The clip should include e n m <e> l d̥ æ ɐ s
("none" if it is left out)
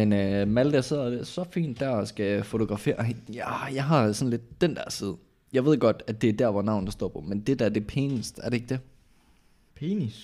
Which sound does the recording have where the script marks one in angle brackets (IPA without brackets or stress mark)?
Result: æ